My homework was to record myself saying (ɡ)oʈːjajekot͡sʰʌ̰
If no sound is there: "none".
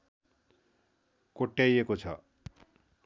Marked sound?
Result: k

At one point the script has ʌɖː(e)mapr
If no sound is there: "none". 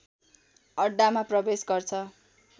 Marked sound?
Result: a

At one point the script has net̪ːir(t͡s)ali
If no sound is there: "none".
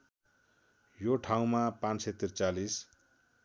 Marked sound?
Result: t͡s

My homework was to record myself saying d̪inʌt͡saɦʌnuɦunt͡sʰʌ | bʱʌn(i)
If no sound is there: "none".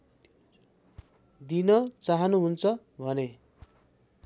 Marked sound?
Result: e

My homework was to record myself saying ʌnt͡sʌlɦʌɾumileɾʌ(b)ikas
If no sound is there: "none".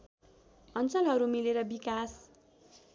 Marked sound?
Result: b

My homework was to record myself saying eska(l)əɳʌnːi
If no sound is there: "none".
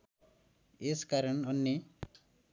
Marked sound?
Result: ɾ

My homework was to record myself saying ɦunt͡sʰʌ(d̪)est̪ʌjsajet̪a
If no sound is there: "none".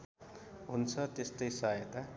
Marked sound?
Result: t̪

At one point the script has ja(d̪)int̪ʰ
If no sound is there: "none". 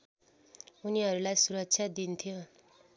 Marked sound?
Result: d̪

